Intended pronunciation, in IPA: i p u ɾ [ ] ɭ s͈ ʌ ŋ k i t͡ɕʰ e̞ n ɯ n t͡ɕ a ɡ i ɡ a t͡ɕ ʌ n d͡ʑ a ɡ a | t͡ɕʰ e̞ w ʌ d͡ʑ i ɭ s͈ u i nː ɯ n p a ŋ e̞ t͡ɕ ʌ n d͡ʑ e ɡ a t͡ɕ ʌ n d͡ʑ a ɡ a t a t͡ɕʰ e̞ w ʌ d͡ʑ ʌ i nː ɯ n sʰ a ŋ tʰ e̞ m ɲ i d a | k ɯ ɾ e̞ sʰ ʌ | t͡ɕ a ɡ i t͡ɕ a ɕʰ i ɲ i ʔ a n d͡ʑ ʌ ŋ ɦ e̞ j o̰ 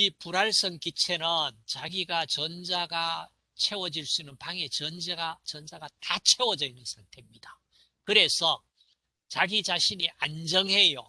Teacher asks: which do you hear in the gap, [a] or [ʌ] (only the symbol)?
a